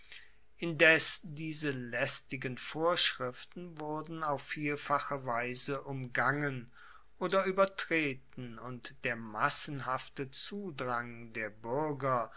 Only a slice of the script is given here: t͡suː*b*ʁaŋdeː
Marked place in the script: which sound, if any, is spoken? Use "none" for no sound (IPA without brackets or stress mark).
d